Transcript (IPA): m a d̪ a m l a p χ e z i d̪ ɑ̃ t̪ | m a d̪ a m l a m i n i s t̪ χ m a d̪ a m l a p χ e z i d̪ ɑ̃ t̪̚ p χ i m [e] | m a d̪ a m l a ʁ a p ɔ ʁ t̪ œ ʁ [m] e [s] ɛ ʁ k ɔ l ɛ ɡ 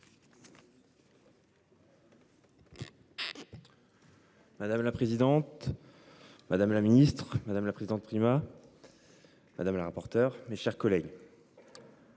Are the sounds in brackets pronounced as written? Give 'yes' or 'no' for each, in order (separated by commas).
no, yes, no